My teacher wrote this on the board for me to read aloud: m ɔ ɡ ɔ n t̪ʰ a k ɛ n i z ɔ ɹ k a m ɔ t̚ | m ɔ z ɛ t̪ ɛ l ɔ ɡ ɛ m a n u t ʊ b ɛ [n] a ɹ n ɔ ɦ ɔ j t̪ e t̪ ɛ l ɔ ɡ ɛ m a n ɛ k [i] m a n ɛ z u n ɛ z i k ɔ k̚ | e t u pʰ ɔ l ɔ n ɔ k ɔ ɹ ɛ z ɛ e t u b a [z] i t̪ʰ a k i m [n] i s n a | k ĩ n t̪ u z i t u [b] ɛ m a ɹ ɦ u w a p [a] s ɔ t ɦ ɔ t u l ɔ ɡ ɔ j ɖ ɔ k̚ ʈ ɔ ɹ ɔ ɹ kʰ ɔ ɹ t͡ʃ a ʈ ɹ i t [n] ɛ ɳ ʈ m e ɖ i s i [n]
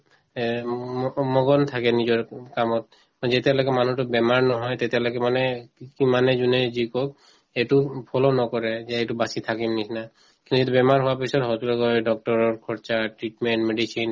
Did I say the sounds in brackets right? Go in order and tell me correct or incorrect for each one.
incorrect: m, correct, incorrect: s, correct, correct, incorrect: i, incorrect: m, correct

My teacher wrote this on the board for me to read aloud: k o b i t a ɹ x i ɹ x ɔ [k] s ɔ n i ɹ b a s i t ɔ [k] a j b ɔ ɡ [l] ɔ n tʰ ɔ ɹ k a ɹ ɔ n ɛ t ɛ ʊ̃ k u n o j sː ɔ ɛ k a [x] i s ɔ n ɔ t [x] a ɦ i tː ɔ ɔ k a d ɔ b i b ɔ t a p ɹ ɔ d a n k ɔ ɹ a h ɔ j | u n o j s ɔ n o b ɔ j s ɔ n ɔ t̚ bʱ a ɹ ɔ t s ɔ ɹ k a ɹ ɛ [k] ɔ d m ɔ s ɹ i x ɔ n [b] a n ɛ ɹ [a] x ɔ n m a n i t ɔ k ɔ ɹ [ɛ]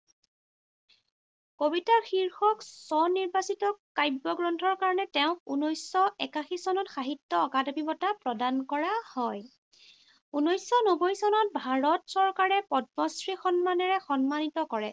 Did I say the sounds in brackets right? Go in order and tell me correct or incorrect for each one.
correct, correct, incorrect: ɹ, correct, correct, incorrect: p, incorrect: m, incorrect: ɛ, correct

